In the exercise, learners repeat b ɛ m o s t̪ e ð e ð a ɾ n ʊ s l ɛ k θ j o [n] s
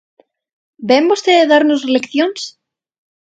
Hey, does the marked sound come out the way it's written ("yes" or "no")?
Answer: yes